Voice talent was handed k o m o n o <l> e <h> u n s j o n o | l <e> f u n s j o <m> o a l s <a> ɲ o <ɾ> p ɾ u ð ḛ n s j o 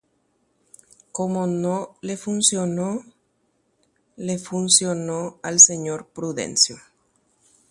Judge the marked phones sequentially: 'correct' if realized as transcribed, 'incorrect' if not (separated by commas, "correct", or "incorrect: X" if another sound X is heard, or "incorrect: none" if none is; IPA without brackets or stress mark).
correct, incorrect: f, correct, incorrect: n, incorrect: e, correct